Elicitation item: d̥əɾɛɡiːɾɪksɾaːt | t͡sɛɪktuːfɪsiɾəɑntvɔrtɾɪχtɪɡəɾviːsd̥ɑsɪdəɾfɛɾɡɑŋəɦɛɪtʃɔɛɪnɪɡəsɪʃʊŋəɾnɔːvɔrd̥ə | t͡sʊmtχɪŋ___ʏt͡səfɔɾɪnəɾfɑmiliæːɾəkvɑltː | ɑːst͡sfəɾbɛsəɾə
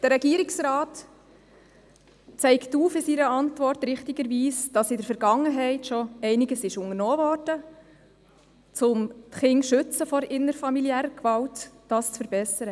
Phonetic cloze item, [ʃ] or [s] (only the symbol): ʃ